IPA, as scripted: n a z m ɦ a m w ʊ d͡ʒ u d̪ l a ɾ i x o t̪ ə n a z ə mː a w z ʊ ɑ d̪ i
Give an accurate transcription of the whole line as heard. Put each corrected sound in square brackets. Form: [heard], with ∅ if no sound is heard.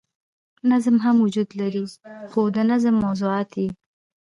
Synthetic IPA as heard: n a z m ɦ a m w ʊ d͡ʒ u d̪ l a ɾ i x o [d̪] ə n a z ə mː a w z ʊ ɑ [t̪] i